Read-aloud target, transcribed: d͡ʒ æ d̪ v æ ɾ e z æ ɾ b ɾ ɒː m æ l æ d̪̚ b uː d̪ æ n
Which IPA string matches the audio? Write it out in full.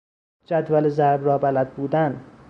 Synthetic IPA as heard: d͡ʒ æ d̪ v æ l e z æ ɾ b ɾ ɒː b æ l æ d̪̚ b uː d̪ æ n